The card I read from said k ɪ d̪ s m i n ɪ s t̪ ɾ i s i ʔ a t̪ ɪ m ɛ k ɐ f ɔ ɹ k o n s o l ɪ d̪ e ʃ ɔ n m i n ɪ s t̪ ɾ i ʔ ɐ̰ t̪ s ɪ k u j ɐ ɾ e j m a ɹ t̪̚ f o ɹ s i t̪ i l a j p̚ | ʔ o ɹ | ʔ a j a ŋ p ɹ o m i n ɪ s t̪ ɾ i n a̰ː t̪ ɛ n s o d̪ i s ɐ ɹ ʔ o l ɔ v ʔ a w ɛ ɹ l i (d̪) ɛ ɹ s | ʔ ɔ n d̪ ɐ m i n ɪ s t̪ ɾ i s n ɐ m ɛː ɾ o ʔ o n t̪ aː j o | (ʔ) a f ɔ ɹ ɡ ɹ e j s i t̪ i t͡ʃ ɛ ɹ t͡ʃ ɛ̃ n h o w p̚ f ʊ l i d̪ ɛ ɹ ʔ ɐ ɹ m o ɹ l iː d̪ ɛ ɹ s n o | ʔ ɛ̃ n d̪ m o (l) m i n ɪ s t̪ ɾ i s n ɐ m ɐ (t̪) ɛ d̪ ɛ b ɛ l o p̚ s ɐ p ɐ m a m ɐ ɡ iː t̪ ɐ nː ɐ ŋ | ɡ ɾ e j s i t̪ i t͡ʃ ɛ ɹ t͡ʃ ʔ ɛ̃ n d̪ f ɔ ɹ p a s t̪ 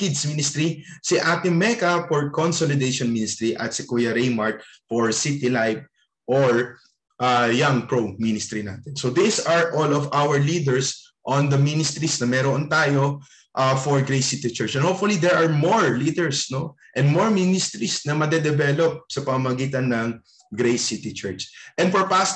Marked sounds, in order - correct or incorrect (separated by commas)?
correct, correct, incorrect, incorrect